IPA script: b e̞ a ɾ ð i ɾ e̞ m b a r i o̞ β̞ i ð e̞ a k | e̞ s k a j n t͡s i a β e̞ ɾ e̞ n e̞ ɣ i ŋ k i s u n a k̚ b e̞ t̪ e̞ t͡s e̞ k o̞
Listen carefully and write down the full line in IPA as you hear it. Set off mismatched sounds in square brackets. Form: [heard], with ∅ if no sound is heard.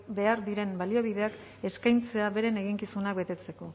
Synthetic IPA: b e̞ a ɾ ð i ɾ e̞ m b a [l] i o̞ β̞ i ð e̞ a k | e̞ s k a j n t͡s [e] a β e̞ ɾ e̞ n e̞ ɣ i ŋ k i s u n a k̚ b e̞ t̪ e̞ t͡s e̞ k o̞